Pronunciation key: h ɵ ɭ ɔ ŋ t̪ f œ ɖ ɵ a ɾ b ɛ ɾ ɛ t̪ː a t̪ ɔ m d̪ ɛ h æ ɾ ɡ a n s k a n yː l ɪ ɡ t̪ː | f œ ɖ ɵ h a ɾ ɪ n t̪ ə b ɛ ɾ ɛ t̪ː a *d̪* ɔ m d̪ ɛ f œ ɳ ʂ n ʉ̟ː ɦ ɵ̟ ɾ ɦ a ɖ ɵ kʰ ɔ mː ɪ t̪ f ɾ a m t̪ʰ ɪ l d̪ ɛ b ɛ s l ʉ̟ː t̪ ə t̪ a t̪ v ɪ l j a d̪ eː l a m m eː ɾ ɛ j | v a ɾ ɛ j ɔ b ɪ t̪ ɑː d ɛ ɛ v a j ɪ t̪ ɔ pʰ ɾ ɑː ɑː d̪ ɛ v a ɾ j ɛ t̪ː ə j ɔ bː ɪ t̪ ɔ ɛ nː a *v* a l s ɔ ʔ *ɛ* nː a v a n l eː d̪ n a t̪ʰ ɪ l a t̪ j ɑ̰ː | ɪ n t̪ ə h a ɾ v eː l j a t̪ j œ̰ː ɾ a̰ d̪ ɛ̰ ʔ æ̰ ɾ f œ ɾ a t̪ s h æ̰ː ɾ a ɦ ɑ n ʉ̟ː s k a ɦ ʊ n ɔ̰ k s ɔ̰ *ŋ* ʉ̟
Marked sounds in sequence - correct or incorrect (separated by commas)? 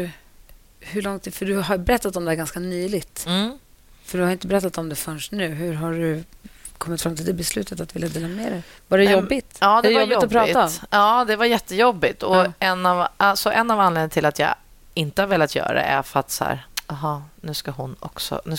incorrect, correct, correct, incorrect